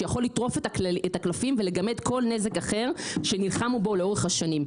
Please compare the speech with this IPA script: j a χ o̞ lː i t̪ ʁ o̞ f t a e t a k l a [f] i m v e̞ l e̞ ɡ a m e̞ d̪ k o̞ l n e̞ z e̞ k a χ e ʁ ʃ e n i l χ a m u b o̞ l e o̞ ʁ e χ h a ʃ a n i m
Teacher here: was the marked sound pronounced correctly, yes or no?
yes